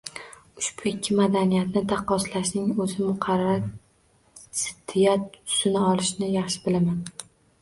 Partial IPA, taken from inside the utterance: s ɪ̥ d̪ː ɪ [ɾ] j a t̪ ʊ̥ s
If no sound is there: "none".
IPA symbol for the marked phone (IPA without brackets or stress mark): none